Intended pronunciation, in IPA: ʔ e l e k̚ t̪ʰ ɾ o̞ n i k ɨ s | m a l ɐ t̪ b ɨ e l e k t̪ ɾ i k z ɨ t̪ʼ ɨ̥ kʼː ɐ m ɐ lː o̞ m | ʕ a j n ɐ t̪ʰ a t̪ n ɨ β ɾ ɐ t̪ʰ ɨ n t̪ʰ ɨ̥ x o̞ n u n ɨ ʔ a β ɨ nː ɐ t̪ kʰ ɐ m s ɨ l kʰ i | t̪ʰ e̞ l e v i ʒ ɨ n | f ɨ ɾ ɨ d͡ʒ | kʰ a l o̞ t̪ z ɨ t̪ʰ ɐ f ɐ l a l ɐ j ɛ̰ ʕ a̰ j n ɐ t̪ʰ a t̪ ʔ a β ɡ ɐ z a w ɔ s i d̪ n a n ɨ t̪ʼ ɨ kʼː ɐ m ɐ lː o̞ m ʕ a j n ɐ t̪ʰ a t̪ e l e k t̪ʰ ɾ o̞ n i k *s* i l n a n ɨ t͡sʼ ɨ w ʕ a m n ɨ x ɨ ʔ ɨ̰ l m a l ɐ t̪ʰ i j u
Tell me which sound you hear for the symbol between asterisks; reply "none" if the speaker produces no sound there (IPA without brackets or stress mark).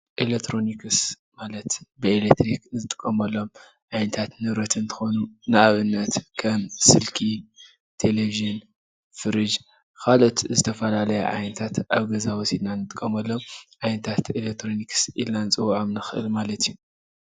s